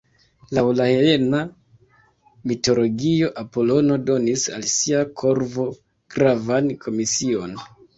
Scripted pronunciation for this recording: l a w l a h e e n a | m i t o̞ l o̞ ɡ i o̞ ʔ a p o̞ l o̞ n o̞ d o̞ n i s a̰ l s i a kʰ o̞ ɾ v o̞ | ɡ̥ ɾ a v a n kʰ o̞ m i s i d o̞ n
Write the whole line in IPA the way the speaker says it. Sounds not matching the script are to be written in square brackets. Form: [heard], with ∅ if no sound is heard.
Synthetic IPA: l a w l a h e e n a | m i t o̞ l o̞ ɡ i o̞ ʔ a p o̞ l o̞ n o̞ d o̞ n i s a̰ l s i a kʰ o̞ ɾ v o̞ | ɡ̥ ɾ a v a n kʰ o̞ m i s i [∅] o̞ n